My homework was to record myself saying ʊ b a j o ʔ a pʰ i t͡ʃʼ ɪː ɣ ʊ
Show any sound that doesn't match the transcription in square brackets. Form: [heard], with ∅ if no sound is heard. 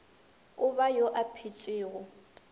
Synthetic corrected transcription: ʊ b a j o ʔ a pʰ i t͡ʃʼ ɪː ɣ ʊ